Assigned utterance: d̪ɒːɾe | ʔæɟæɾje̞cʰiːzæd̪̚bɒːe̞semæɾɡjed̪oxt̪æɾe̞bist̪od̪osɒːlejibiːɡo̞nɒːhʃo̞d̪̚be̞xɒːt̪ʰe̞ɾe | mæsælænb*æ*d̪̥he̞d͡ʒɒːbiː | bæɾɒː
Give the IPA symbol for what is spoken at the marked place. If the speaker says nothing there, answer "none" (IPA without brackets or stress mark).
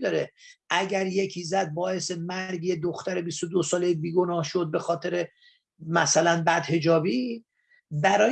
æ